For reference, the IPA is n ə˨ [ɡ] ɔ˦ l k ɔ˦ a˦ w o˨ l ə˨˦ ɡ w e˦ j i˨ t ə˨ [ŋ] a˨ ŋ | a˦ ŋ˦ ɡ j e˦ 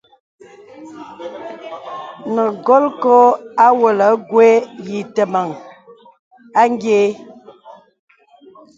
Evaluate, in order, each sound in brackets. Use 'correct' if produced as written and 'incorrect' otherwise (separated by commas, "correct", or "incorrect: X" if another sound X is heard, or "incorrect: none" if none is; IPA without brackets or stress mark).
correct, incorrect: m